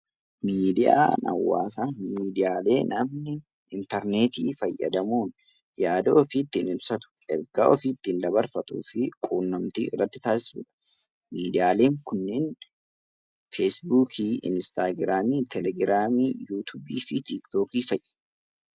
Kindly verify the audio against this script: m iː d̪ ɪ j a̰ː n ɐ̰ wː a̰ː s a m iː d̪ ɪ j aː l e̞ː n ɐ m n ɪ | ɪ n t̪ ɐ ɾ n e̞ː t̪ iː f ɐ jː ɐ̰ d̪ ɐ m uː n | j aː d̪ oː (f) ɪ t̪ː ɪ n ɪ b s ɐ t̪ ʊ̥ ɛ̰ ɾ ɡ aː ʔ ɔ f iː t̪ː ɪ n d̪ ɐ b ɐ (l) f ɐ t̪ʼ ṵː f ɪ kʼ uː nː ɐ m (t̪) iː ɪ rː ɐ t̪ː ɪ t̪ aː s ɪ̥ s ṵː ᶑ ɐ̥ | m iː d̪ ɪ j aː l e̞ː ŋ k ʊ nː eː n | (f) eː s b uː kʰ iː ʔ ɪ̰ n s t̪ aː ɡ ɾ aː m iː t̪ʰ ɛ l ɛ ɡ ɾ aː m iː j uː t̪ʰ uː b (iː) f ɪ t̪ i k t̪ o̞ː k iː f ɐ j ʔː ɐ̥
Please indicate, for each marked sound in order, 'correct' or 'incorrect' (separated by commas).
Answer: correct, incorrect, correct, correct, correct